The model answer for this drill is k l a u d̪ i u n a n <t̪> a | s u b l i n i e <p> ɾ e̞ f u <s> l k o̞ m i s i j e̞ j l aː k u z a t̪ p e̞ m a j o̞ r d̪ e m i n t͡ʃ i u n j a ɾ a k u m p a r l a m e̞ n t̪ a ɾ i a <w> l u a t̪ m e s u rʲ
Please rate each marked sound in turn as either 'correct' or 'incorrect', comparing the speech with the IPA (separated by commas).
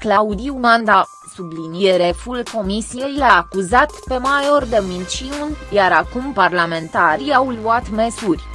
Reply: incorrect, incorrect, incorrect, correct